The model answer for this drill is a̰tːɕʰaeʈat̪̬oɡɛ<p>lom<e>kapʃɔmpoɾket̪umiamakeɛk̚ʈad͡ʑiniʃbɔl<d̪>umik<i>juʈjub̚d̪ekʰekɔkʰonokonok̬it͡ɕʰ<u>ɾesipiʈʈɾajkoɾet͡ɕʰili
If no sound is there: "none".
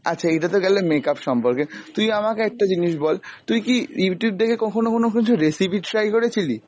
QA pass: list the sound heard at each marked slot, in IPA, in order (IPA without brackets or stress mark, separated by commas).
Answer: none, e, t̪, i, u